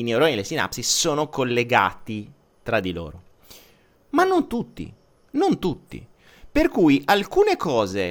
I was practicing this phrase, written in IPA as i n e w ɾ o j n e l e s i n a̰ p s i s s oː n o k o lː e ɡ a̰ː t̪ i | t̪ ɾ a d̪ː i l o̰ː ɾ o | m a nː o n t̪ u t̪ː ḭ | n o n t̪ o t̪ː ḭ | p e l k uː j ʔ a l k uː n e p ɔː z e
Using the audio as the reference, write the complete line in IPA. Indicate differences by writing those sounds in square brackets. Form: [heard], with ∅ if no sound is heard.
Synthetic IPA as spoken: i n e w ɾ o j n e l e s i n a̰ p s i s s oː n o k o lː e ɡ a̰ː t̪ i | t̪ ɾ a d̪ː i l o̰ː ɾ o | m a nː o n t̪ u t̪ː ḭ | n o n t̪ [u] t̪ː ḭ | p e [r] k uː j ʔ a l k uː n e [k] ɔː z e